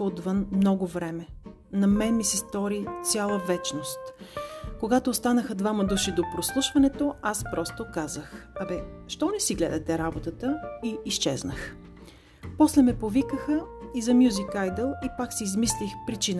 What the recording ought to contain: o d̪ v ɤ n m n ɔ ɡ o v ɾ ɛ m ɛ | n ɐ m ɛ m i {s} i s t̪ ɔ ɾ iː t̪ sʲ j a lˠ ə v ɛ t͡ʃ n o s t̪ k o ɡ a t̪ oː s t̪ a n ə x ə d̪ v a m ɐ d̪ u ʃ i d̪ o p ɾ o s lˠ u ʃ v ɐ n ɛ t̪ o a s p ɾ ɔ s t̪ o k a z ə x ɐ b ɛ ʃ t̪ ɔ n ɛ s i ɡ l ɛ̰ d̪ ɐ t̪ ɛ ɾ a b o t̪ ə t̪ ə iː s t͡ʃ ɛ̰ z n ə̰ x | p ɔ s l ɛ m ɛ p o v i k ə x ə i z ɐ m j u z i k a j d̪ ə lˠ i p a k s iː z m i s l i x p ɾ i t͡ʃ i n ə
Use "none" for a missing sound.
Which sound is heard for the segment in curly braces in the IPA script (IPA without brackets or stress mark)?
s